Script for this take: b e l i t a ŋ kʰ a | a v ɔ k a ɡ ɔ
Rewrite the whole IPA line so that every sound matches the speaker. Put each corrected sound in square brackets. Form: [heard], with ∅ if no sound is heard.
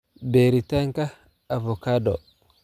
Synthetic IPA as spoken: b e [ɾ] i t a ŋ [k] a | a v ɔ k a [d] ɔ

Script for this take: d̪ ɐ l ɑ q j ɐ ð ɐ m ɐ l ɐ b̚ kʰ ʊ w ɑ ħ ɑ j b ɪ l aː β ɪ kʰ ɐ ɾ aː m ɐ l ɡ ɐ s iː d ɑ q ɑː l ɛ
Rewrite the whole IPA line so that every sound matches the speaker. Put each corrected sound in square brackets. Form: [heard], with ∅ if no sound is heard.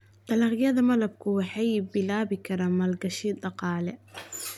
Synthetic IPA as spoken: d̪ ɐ l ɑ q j ɐ ð ɐ m ɐ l ɐ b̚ kʰ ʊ w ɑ ħ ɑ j b ɪ l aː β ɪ kʰ ɐ ɾ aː m ɐ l ɡ ɐ [ʃ] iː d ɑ q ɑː l ɛ

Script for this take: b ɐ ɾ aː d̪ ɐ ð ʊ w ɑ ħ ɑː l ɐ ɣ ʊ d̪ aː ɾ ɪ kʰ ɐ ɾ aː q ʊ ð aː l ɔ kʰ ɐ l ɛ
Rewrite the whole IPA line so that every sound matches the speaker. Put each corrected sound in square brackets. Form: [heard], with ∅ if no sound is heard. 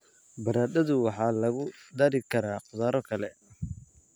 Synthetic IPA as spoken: b ɐ ɾ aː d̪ ɐ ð ʊ w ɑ ħ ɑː l ɐ ɣ ʊ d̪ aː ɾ ɪ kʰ ɐ ɾ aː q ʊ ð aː [ɾ] ɔ kʰ ɐ l ɛ

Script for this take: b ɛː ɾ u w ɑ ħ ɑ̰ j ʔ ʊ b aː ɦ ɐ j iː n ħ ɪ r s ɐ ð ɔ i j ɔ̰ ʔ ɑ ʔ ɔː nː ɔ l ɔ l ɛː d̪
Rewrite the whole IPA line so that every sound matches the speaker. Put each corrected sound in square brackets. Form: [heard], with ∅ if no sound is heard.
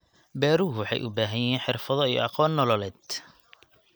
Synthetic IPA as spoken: b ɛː ɾ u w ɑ ħ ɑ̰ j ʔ ʊ b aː ɦ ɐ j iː n ħ ɪ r [f] ɐ ð ɔ i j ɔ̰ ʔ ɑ [q] ɔː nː ɔ l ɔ l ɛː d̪

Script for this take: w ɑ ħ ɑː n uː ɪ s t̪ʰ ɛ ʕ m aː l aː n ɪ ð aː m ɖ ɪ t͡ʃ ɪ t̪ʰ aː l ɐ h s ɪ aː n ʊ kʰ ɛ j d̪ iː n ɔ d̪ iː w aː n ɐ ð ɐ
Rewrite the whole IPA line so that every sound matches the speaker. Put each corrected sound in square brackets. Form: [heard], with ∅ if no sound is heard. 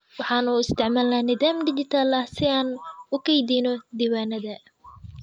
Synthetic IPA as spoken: w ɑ ħ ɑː n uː ɪ s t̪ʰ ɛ ʕ m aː l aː n ɪ ð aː m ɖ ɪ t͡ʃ ɪ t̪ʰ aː l ɐ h s ɪ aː n ʊ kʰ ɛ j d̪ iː n ɔ d̪ iː w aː n ɐ ð ɐ

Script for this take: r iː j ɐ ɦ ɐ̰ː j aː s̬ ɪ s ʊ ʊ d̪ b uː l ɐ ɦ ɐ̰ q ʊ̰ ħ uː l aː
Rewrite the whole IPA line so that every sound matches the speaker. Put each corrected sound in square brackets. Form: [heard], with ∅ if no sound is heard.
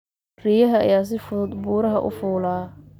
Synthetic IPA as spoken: r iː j ɐ ɦ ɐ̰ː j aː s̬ ɪ [f] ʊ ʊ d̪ b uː [ɾ] ɐ ɦ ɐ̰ [ʔ] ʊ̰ [f] uː l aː

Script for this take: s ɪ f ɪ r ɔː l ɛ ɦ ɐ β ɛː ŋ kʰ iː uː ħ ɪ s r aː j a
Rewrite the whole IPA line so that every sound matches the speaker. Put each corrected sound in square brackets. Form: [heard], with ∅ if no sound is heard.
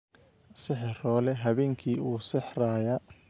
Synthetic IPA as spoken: s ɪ [ħ] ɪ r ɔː l ɛ ɦ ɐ β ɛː ŋ kʰ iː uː [s] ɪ [ħ] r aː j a

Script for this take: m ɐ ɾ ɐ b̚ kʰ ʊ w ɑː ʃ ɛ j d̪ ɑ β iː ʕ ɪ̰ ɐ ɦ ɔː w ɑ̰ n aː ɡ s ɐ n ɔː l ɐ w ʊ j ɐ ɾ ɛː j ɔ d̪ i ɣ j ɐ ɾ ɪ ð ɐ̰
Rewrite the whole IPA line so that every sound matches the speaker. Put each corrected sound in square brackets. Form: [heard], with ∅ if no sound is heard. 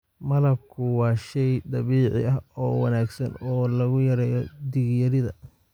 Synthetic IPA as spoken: m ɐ [l] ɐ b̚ kʰ ʊ w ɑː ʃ ɛ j d̪ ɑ β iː ʕ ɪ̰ ɐ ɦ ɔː w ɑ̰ n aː ɡ s ɐ n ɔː l ɐ [ɣ] ʊ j ɐ ɾ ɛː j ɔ d̪ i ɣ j ɐ ɾ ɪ ð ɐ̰

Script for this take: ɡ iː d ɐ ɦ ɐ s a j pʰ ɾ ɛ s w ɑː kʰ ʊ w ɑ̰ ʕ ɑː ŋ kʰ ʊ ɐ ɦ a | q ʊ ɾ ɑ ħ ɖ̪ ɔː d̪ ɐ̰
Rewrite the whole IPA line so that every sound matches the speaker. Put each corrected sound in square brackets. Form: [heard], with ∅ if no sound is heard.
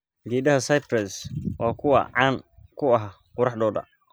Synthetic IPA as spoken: ɡ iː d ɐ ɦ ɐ s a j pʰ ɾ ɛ s w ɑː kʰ ʊ w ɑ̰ ʕ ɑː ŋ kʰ ʊ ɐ ɦ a | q ʊ ɾ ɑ ħ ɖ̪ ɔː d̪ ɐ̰

